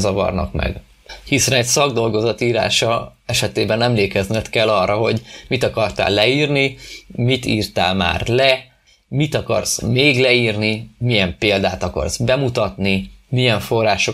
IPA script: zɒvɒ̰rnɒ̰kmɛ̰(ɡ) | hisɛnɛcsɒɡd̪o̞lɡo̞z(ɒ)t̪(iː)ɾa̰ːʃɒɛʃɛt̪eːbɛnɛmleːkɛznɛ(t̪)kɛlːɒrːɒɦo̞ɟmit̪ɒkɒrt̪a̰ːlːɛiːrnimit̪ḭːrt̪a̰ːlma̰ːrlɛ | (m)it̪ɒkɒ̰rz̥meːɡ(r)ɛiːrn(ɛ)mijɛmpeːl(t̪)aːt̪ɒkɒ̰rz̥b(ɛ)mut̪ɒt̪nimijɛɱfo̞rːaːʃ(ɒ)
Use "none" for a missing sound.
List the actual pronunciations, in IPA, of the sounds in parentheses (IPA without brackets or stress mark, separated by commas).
ɡ, ɒ, iː, t̪, m, l, i, d̪, ɛ, o